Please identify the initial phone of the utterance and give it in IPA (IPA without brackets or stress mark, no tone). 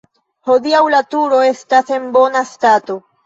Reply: h